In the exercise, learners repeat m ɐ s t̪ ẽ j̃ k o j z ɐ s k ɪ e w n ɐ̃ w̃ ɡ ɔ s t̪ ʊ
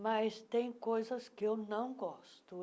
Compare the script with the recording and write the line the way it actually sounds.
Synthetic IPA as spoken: m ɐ s t̪ ẽ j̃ k o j z ɐ s k ɪ e w n ɐ̃ w̃ ɡ ɔ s t̪ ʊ

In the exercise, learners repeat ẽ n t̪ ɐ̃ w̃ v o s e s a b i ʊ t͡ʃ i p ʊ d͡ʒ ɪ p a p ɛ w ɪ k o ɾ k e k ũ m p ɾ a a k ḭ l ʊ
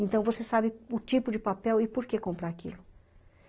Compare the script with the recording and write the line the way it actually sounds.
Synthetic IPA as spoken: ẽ n t̪ ɐ̃ w̃ v o s e s a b ɪ ʊ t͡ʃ i p ʊ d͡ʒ ɪ p a p ɛ w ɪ p o ɾ k e k õ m p ɾ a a k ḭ l ʊ

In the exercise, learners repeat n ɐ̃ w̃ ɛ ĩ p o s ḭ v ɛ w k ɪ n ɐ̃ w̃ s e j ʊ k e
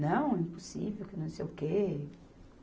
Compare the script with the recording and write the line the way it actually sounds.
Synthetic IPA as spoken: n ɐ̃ w̃ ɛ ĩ p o s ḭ v e w k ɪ n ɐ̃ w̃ s e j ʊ k e

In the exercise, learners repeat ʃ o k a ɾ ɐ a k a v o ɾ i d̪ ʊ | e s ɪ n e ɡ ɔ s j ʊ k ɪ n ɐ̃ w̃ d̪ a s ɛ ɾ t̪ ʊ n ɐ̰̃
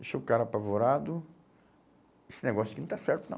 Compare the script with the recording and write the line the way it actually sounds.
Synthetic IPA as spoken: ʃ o k a ɾ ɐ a p a v o ɾ a d̪ ʊ | e s ɪ n e ɡ ɔ s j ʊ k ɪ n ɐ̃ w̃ t̪ a s ɛ ɾ t̪ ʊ n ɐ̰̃

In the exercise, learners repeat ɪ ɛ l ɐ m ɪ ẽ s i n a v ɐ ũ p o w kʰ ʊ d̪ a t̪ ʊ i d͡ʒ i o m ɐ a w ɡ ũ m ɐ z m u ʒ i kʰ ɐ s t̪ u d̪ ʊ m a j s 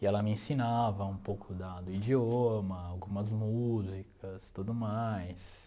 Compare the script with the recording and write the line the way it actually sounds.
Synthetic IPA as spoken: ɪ ɛ l ɐ m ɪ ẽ s i n a v ɐ ũ p o w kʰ ʊ d̪ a d̪ ʊ i d͡ʒ i o m ɐ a w ɡ ũ m ɐ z m u z i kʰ ɐ s t̪ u d̪ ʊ m a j s

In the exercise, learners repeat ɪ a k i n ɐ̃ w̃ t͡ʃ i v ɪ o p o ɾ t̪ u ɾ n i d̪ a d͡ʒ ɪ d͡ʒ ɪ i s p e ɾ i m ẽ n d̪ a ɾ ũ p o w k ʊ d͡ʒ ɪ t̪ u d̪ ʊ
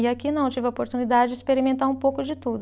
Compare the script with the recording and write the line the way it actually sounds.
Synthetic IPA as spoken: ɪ a k i n ɐ̃ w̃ t͡ʃ i v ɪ o p o ɾ t̪ u n i d̪ a d͡ʒ ɪ d͡ʒ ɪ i s p e ɾ i m ẽ n t̪ a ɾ ũ p o w k ʊ d͡ʒ ɪ t̪ u d̪ ʊ

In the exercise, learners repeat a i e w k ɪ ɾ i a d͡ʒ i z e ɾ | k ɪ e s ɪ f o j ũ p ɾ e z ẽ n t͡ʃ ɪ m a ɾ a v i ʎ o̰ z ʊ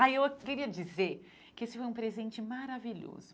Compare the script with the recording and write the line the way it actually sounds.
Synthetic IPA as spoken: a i e w k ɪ ɾ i ɐ d͡ʒ i z e ɾ | k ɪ e s ɪ f o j ũ p ɾ e z ẽ n t͡ʃ ɪ m a ɾ a v i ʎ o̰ z ʊ

